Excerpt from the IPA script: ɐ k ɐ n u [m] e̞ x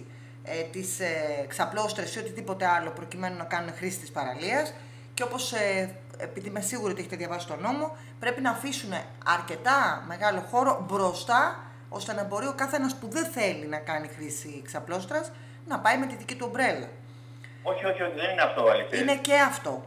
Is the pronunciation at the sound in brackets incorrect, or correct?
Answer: incorrect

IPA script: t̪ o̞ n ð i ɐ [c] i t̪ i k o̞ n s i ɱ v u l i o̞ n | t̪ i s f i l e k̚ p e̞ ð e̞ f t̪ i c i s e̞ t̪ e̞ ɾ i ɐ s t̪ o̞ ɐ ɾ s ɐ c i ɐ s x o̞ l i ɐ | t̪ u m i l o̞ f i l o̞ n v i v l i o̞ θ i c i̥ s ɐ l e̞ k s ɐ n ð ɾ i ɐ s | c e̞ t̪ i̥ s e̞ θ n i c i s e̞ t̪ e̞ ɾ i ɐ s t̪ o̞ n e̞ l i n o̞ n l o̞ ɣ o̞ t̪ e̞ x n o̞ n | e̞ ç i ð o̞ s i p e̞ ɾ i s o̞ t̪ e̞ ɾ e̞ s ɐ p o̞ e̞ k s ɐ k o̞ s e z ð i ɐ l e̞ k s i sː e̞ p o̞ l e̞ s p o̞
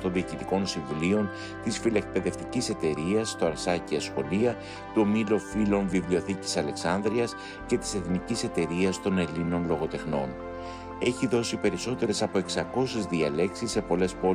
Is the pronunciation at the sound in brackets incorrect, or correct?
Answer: correct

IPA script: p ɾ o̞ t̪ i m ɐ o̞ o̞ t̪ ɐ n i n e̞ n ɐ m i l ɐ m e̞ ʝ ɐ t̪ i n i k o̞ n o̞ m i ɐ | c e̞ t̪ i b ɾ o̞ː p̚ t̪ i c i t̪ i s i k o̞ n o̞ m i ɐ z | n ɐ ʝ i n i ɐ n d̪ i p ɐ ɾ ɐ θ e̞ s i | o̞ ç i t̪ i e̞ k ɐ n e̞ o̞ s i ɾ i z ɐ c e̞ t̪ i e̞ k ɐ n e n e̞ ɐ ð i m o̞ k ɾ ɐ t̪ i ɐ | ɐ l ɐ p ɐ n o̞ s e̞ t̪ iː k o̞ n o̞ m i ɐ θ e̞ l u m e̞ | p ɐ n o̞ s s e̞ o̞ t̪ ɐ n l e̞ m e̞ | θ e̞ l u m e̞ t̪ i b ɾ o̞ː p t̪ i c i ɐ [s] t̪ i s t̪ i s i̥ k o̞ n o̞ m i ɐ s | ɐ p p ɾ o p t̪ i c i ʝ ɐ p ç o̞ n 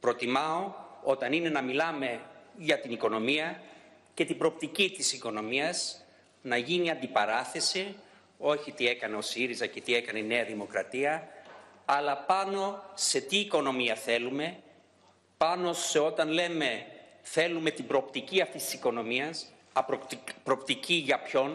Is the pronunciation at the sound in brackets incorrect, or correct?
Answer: incorrect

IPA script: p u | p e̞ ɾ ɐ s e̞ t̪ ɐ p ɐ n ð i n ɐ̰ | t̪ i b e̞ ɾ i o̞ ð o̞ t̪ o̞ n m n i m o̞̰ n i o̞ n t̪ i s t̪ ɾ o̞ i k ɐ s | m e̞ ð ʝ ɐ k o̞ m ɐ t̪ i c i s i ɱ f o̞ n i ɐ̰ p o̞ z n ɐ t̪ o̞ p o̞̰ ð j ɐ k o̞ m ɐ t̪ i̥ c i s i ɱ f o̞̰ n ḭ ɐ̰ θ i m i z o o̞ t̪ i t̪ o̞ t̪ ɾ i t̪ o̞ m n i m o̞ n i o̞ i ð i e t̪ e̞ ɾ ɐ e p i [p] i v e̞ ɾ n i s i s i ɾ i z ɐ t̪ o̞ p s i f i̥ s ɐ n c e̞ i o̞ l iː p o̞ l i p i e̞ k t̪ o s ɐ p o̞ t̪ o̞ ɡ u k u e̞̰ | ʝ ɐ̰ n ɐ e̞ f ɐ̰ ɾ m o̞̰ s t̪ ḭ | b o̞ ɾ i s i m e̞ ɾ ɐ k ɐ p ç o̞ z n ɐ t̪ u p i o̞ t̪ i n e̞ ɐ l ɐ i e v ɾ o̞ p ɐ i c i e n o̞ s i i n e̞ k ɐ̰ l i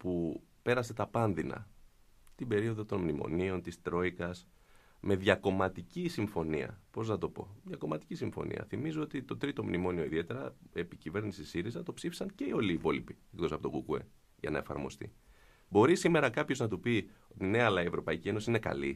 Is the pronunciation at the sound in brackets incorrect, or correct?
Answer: incorrect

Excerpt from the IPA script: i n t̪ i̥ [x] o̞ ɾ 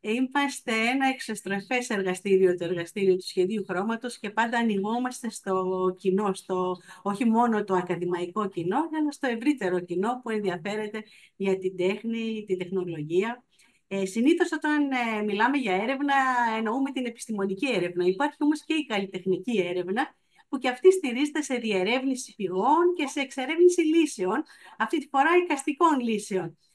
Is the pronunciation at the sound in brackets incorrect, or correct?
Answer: incorrect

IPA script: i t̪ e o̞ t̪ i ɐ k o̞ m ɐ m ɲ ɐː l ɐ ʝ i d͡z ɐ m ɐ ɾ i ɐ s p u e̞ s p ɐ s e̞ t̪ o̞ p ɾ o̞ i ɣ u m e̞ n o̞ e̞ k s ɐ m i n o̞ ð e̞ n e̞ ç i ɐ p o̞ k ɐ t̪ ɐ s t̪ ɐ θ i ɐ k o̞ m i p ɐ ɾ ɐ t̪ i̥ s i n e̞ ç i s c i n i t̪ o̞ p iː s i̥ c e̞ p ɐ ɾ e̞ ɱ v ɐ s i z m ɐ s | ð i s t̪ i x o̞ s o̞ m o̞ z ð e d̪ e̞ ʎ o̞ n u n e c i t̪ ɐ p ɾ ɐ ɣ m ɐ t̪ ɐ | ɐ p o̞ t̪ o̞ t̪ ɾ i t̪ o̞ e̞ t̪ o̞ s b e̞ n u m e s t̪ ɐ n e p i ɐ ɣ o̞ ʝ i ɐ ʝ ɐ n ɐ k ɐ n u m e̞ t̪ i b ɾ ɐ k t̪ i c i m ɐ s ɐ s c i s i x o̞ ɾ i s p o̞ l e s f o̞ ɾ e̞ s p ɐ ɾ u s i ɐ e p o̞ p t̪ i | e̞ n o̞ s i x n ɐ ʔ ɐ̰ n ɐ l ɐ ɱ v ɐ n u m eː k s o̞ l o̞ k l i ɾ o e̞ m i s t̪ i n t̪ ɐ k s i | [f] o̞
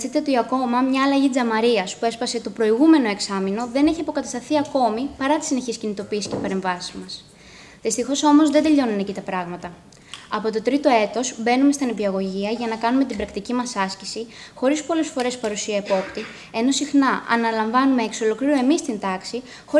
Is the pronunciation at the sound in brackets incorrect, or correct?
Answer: incorrect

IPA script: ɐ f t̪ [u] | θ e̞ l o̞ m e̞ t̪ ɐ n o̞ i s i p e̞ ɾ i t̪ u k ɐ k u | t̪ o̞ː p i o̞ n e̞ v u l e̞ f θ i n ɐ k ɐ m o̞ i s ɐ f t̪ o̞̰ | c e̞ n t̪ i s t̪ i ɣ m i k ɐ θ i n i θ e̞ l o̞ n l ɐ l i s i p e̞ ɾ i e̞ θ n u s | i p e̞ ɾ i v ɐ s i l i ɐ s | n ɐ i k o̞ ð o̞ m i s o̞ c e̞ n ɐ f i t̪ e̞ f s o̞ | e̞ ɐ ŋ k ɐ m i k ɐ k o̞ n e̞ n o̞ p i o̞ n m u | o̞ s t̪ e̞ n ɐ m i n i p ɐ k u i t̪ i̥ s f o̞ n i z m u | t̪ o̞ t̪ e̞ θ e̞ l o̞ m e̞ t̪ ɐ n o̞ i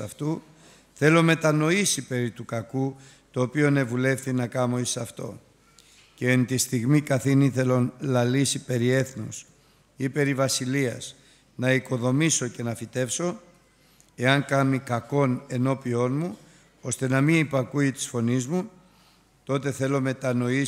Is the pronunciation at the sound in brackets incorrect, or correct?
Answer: correct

